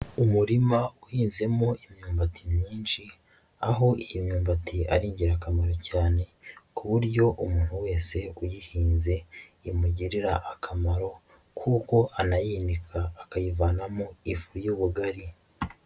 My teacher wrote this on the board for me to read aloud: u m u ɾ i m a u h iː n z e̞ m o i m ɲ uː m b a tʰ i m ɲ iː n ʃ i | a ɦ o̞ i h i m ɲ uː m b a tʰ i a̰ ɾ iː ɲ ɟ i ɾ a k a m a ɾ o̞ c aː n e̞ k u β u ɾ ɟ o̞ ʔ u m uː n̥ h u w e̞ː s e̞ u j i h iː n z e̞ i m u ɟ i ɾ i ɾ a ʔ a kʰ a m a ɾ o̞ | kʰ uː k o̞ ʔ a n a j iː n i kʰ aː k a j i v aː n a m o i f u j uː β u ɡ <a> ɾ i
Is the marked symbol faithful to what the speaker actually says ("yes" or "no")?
yes